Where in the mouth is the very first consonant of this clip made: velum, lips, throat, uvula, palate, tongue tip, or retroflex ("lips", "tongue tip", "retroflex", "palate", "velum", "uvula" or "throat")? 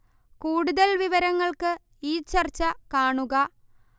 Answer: velum